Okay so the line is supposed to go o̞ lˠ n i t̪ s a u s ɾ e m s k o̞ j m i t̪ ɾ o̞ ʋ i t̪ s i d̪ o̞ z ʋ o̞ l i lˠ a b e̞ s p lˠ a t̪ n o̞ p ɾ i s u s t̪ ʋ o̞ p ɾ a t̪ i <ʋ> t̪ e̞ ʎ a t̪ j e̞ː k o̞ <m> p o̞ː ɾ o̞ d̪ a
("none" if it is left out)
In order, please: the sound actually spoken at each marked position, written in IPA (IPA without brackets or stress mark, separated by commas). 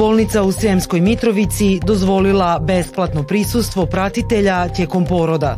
none, m